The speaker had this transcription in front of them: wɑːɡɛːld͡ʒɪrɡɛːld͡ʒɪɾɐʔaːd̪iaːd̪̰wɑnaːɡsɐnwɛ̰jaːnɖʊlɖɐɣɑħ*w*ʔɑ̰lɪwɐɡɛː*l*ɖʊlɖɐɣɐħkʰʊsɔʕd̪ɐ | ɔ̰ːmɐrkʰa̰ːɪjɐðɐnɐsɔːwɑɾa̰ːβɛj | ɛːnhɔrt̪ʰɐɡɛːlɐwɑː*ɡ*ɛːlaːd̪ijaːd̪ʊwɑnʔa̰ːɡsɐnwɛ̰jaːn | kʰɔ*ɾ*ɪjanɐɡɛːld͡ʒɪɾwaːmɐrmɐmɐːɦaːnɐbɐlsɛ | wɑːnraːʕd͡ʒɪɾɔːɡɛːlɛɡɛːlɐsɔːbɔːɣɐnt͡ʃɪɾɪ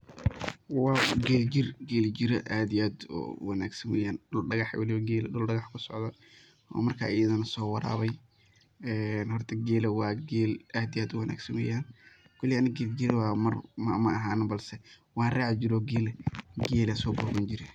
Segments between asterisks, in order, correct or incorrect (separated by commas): correct, correct, correct, incorrect